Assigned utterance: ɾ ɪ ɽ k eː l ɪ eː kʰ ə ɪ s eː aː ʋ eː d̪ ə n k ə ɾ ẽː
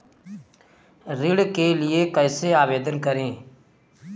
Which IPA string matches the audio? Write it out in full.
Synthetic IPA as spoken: ɾ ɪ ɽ k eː l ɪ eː k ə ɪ s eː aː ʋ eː d̪ ə n k ə ɾ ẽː